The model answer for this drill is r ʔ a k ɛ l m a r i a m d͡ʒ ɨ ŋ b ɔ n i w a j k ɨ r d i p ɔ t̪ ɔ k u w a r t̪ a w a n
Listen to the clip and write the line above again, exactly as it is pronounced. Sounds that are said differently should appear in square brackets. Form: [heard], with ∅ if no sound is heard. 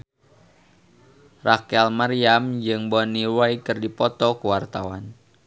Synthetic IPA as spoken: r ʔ a k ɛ l m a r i a m d͡ʒ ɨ ŋ b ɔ n i w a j k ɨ r d i p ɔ t̪ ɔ k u w a r t̪ a w a n

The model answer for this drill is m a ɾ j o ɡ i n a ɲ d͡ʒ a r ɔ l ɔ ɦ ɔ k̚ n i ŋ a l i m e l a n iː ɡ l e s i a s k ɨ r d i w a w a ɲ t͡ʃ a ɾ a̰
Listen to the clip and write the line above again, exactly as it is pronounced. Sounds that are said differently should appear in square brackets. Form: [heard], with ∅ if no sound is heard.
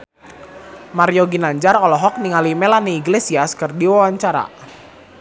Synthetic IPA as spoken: m a ɾ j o ɡ i n a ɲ d͡ʒ a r ɔ l ɔ ɦ ɔ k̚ n i ŋ a l i m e l a n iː ɡ l e s i a s k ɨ r d i w a w a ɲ t͡ʃ a ɾ a̰

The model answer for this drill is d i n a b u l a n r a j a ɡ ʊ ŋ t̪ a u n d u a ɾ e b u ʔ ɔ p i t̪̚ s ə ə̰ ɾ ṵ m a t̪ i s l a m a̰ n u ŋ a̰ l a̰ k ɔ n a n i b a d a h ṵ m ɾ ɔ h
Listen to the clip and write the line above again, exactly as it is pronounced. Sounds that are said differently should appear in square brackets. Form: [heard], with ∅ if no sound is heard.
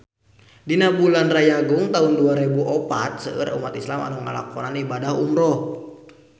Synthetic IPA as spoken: d i n a b u l a n r a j a ɡ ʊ ŋ t̪ a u n d u a ɾ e b u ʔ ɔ p [a] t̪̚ s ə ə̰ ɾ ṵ m a t̪ i s l a m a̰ n u ŋ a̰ l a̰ k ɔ n a n i b a d a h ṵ m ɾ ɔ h

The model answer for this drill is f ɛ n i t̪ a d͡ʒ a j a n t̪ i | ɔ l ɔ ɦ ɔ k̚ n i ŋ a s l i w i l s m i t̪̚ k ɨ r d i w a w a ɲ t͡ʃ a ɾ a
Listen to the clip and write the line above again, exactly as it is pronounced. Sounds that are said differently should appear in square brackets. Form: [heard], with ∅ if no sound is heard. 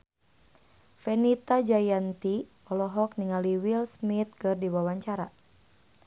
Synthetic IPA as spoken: f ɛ n i t̪ a d͡ʒ a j a n t̪ i | ɔ l ɔ ɦ ɔ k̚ n i ŋ a [∅] l i w i l s m i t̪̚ k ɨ r d i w a w a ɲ t͡ʃ a ɾ a

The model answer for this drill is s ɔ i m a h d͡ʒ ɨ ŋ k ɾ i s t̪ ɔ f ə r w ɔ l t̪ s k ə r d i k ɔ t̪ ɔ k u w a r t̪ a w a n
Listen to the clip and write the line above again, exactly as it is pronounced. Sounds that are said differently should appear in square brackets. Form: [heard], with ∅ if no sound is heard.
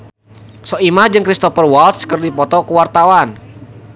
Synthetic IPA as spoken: s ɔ i m a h d͡ʒ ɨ ŋ k ɾ i s t̪ ɔ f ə r w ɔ l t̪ s k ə r d i [p] ɔ t̪ ɔ k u w a r t̪ a w a n

